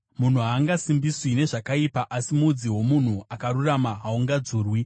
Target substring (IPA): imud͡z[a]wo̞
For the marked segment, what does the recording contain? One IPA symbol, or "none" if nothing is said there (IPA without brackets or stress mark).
i